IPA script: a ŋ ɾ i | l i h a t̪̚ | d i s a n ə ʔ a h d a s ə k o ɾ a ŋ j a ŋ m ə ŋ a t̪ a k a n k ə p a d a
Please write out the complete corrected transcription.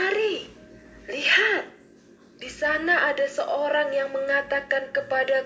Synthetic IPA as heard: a ɾ i | l i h a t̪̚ | d i s a n a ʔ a d a s ə ʔ o ɾ a ŋ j a ŋ m ə ŋ a t̪ a k a n k ə p a d a